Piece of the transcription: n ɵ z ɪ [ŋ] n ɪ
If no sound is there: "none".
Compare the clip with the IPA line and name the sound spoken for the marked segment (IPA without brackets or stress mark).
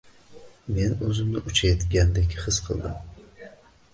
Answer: m